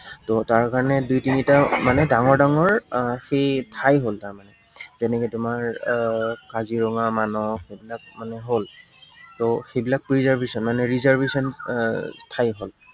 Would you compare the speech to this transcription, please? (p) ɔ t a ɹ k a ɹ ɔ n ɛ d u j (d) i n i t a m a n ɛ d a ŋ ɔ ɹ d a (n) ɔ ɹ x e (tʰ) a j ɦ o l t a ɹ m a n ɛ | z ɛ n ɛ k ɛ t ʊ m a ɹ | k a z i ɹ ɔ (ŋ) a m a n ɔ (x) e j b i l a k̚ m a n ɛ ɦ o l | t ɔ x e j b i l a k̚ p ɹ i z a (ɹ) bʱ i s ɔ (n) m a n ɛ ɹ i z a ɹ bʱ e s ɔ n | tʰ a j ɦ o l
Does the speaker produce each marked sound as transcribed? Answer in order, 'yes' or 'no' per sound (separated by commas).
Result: no, no, no, yes, yes, yes, yes, yes